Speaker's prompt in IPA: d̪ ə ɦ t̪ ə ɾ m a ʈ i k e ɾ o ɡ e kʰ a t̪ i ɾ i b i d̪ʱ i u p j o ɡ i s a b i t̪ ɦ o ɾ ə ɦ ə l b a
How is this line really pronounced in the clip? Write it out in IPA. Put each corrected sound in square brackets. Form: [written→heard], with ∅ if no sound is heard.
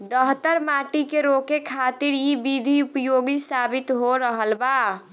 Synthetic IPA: d̪ ə ɦ t̪ ə ɾ m a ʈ i k e ɾ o [ɡ→k] e kʰ a t̪ i ɾ i b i d̪ʱ i u p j o ɡ i s a b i t̪ ɦ o ɾ ə ɦ ə l b a